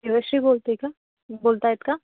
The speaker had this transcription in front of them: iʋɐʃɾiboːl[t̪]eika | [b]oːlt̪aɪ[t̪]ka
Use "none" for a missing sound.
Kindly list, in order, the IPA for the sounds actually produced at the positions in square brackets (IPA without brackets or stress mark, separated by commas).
t̪, b, t̪